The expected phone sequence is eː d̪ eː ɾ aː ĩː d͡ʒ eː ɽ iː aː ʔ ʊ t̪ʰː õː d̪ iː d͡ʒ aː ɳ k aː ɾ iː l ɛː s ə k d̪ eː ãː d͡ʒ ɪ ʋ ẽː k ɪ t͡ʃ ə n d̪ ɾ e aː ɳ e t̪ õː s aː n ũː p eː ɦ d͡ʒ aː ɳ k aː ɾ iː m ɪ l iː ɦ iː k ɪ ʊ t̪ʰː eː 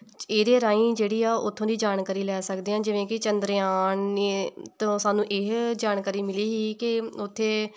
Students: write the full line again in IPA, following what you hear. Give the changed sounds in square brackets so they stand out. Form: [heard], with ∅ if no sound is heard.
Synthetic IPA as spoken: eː d̪ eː ɾ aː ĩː d͡ʒ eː ɽ iː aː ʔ ʊ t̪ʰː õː d̪ iː d͡ʒ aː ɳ k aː ɾ iː l ɛː s ə k d̪ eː ãː d͡ʒ ɪ ʋ ẽː k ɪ t͡ʃ ə n d̪ ɾ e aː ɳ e t̪ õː s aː n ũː [ʔ] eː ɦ d͡ʒ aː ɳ k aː ɾ iː m ɪ l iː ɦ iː k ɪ ʊ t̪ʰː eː